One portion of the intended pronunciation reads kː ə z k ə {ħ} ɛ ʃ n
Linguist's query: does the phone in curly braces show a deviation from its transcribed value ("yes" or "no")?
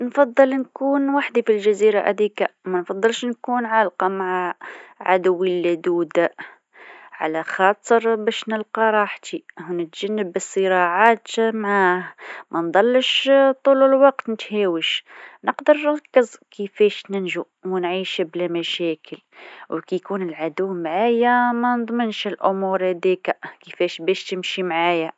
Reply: yes